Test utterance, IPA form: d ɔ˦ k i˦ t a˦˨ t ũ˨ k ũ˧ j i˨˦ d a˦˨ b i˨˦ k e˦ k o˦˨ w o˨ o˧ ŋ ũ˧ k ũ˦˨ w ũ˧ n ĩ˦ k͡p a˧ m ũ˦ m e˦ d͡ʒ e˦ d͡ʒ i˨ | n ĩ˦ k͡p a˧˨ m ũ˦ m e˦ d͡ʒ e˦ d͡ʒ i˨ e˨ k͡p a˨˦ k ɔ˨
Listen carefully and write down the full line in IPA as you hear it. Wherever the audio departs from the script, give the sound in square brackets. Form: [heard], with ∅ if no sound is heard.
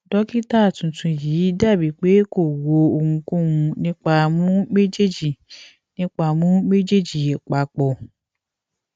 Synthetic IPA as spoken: d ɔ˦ k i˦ t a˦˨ t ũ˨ [t] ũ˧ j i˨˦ d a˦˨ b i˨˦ [k͡p] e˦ k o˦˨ w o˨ o˧ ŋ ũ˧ k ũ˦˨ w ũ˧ n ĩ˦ k͡p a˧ m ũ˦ m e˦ d͡ʒ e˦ d͡ʒ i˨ | n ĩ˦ k͡p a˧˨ m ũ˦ m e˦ d͡ʒ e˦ d͡ʒ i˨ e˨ k͡p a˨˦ [k͡p] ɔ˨